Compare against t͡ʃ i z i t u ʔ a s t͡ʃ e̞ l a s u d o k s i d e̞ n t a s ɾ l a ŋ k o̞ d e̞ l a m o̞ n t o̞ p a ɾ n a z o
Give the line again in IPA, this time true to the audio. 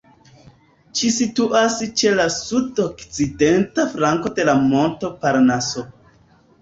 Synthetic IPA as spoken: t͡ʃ i s i t u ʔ a s t͡ʃ e̞ l a s u d o k t͡s i d e̞ n t a f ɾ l a ŋ k o̞ d e̞ l a m o̞ n t o̞ p a ɾ n a s o